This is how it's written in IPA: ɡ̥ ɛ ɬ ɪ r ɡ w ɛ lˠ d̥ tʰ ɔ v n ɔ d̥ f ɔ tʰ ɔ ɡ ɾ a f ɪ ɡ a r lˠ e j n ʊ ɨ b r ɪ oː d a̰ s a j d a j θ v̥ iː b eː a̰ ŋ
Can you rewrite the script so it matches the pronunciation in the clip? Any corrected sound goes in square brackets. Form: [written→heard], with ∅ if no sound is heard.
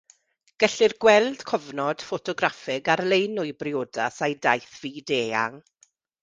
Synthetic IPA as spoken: ɡ̥ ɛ ɬ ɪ r ɡ w ɛ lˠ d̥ [tʰ→kʰ] ɔ v n ɔ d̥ f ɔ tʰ ɔ ɡ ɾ a f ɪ ɡ a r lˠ e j n ʊ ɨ b r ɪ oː d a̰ s a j d a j θ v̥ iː [b→d] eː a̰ ŋ